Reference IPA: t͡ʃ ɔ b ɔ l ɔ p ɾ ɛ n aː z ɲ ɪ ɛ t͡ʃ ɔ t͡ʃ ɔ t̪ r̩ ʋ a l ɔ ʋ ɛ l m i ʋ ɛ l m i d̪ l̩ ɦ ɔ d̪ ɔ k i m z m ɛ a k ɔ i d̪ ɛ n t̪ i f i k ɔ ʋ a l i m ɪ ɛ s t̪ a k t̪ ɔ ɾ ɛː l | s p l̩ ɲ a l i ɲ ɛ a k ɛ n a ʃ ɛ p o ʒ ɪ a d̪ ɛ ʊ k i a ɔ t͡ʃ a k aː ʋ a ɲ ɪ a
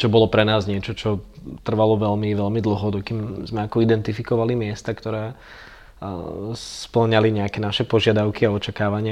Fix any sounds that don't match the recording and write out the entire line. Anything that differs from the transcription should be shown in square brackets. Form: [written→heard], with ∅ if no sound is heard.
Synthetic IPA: t͡ʃ ɔ b ɔ l ɔ p ɾ ɛ n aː z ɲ ɪ ɛ t͡ʃ ɔ t͡ʃ ɔ t̪ r̩ ʋ a l ɔ ʋ ɛ l m i ʋ ɛ l m i d̪ l̩ ɦ ɔ d̪ ɔ k i m z m ɛ a k ɔ i d̪ ɛ n t̪ i f i k ɔ ʋ a l i m ɪ ɛ s t̪ a k t̪ ɔ ɾ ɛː [l→∅] | s p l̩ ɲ a l i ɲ ɛ a k ɛ n a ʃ ɛ p [o→ɔ] ʒ ɪ a d̪ [ɛ→a] ʊ k i a ɔ t͡ʃ a k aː ʋ a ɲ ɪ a